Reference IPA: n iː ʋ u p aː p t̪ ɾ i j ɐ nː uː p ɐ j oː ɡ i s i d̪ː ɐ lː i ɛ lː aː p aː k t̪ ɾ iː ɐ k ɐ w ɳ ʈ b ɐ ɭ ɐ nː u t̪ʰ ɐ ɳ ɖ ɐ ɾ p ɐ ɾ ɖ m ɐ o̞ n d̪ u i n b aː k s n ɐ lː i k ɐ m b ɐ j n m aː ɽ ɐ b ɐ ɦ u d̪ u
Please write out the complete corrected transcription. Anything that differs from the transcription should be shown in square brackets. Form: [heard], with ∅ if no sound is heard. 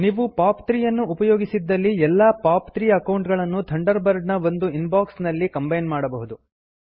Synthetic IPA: n iː ʋ u p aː p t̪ ɾ i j ɐ nː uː p ɐ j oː ɡ i s i d̪ː ɐ lː i ɛ lː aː p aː [p] t̪ ɾ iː ɐ k ɐ w ɳ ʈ [ɡ] ɐ ɭ ɐ nː u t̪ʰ ɐ ɳ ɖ ɐ ɾ [b] ɐ ɾ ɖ [n] ɐ o̞ n d̪ u i n b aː k s n ɐ lː i k ɐ m b ɐ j n m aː ɽ ɐ b ɐ ɦ u d̪ u

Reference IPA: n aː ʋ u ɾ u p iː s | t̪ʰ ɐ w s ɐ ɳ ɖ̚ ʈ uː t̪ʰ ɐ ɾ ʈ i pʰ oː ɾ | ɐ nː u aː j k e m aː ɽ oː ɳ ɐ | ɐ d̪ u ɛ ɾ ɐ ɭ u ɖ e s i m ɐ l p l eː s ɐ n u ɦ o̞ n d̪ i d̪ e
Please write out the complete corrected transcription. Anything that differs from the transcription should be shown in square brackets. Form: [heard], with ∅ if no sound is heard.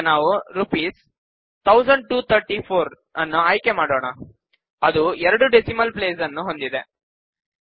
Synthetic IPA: n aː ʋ u ɾ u p iː s | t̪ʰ ɐ w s ɐ ɳ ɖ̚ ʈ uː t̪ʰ ɐ ɾ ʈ i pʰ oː ɾ | ɐ nː u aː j k e m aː ɽ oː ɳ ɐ | ɐ d̪ u ɛ ɾ ɐ [ɽ] u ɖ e s i m ɐ l p l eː s ɐ [nː] u ɦ o̞ n d̪ i d̪ e

